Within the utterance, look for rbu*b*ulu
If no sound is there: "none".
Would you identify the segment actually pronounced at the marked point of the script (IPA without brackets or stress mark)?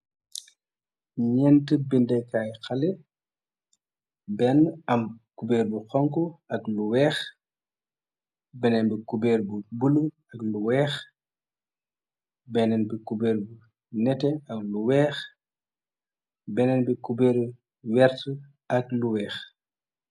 b